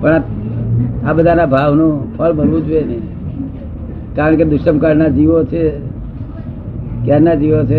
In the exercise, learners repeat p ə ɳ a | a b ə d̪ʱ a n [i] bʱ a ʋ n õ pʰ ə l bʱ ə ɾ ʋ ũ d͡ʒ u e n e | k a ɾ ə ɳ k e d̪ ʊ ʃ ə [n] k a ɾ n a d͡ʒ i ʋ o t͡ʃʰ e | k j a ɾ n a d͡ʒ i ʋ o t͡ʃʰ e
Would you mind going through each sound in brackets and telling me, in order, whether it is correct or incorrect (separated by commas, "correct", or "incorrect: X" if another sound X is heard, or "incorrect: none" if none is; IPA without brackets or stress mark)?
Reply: incorrect: a, incorrect: m